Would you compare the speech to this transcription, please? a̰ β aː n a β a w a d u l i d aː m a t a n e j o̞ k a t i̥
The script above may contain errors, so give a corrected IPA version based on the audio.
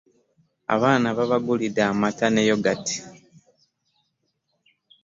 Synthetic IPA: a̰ β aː n a β a β a ɡ u l i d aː m a t a n e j o̞ ɡ a t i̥